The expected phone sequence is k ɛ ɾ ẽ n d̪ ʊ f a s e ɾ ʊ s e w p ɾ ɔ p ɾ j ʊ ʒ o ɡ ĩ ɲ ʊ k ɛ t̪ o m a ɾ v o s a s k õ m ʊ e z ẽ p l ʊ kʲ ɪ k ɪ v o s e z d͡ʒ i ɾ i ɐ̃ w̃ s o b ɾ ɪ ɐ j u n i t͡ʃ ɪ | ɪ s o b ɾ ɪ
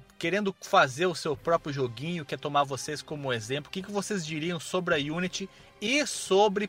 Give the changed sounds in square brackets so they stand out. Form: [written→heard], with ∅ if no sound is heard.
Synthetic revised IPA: k [ɛ→e] ɾ ẽ n d̪ ʊ f a [s→z] e ɾ ʊ s e w p ɾ ɔ p ɾ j ʊ ʒ o ɡ ĩ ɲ ʊ k ɛ t̪ o m a ɾ v o s [a→e] s k õ m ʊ e z ẽ p l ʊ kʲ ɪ k ɪ v o s e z d͡ʒ i ɾ i ɐ̃ w̃ s o b ɾ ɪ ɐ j u n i t͡ʃ ɪ | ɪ s o b ɾ ɪ